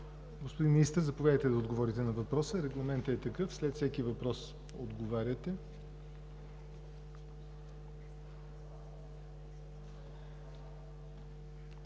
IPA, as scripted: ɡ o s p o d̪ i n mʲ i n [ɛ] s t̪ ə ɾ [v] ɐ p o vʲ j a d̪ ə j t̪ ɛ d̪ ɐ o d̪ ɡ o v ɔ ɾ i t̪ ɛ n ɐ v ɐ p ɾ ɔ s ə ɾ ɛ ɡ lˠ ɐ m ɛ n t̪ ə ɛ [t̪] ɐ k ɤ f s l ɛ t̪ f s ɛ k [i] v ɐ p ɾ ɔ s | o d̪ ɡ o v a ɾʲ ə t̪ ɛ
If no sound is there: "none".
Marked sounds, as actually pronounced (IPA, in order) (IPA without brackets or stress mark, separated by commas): i, z, t̪, i